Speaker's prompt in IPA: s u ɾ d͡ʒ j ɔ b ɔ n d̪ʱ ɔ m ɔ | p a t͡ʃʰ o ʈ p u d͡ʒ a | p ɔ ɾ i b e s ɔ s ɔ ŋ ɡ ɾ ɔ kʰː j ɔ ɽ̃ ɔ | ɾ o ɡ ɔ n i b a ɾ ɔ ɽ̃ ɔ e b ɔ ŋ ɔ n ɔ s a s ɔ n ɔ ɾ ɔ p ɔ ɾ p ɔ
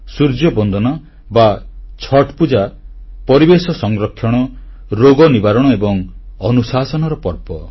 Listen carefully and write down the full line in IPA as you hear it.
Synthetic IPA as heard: s u ɾ d͡ʒ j ɔ b ɔ n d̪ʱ ɔ n ɔ | b a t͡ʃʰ ɔ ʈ p u d͡ʒ a | p ɔ ɾ i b e s ɔ s ɔ ŋ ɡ ɾ ɔ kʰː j ɔ ɽ̃ ɔ | ɾ o ɡ ɔ n i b a ɾ ɔ ɽ̃ ɔ e b ɔ ŋ ɔ n u s a s ɔ n ɔ ɾ ɔ p ɔ ɾ p ɔ